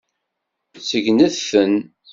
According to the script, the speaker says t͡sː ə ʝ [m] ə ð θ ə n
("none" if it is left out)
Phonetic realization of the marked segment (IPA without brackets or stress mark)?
n